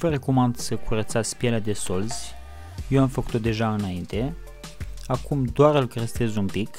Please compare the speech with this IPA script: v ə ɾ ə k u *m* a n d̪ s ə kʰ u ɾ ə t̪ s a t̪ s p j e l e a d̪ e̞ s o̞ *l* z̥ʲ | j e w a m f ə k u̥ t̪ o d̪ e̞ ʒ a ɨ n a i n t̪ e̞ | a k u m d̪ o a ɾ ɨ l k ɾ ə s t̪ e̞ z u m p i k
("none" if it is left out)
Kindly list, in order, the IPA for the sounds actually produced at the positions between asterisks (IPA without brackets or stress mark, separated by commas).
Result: m, l